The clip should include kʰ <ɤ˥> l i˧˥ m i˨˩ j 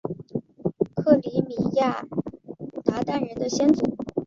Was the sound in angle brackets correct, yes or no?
no